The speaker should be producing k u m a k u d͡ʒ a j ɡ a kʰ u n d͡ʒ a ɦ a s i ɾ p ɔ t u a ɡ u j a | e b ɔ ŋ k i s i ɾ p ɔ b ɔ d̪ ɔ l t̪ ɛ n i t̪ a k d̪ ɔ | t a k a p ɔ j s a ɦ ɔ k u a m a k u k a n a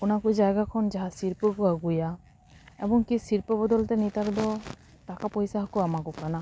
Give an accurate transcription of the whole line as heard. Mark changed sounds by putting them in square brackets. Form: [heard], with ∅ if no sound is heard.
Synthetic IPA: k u [n] a k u d͡ʒ a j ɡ a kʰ [ɔ] n d͡ʒ a ɦ a s i ɾ p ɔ [k] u a ɡ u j a | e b ɔ ŋ k i s i ɾ p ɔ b ɔ d̪ ɔ l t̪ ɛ n i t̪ a k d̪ ɔ | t a k a p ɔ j s a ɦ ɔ k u a m a k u k a n a